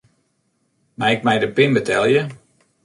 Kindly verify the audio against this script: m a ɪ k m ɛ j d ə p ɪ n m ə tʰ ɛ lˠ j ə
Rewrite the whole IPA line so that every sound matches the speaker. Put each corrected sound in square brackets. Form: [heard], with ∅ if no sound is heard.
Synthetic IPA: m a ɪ k m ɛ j d ə p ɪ n [b] ə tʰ ɛ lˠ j ə